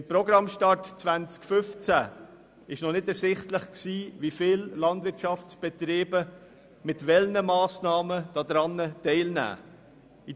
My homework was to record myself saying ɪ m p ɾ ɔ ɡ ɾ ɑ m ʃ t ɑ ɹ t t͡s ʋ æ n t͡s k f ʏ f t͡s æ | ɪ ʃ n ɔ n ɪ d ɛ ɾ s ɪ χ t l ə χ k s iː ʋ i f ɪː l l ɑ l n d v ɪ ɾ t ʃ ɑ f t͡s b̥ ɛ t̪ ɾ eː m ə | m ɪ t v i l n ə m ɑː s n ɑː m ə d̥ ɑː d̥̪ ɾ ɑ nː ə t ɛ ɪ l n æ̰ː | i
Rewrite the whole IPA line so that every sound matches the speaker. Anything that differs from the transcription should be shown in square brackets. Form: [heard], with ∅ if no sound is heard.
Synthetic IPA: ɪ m p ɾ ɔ ɡ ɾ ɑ m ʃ t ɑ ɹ t t͡s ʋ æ n t͡s k f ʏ f t͡s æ | ɪ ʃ n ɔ n ɪ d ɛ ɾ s ɪ χ t l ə χ k s iː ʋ i f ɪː l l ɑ [∅] n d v ɪ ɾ t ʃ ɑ f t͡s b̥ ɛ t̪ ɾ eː [b] ə | m ɪ t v [ɛ] l n ə m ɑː s n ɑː m ə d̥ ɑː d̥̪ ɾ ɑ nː ə t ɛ ɪ l n æ̰ː | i